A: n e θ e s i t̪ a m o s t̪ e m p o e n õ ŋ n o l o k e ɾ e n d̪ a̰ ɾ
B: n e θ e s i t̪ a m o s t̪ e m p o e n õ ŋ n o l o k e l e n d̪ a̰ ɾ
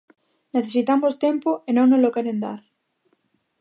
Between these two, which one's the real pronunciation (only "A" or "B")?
A